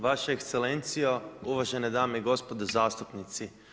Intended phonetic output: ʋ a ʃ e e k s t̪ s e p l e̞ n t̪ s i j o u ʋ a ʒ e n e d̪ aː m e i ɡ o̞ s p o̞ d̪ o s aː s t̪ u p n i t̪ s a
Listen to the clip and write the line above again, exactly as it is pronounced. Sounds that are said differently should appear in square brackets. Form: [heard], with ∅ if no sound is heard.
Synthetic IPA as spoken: ʋ a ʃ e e k s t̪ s e [∅] l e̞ n t̪ s i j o u ʋ a ʒ e n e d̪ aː m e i ɡ o̞ s p o̞ d̪ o [z] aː s t̪ u p n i t̪ s [i]